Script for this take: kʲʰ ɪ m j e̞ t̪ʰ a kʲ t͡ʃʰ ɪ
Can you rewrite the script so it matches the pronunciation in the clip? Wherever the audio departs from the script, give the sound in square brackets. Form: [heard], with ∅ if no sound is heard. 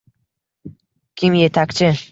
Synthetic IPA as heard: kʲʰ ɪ m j e̞ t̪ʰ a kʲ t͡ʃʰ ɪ